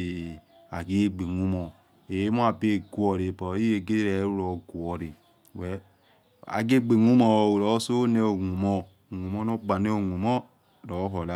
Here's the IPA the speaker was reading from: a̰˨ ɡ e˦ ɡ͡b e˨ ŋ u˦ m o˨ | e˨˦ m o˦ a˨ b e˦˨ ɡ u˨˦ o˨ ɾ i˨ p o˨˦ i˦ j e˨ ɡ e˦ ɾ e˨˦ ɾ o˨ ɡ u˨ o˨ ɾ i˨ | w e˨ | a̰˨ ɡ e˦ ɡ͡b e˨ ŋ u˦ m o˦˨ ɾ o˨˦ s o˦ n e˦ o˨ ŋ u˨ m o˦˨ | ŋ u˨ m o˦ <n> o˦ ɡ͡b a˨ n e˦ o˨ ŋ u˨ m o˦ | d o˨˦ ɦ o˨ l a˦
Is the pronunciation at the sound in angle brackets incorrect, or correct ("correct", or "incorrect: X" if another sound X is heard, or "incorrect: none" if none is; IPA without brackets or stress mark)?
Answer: correct